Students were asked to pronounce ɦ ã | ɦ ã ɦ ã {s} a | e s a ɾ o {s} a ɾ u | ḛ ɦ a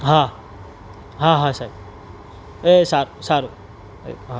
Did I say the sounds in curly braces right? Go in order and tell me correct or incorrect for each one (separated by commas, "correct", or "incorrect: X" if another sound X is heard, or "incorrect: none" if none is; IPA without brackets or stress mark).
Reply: correct, correct